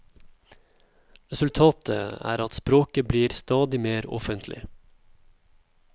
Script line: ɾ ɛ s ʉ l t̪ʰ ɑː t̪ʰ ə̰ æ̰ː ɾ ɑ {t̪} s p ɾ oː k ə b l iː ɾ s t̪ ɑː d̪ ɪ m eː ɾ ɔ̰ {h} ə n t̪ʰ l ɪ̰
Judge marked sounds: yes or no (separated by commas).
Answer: yes, no